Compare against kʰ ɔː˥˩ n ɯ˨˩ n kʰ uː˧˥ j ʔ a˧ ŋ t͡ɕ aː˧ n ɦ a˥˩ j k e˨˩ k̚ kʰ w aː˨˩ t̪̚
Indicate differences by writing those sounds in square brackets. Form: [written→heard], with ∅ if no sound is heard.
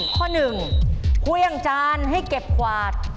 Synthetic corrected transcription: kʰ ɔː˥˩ n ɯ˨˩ [n→ŋ] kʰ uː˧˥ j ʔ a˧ ŋ t͡ɕ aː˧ n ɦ a˥˩ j k e˨˩ [k̚→p̚] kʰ w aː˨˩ t̪̚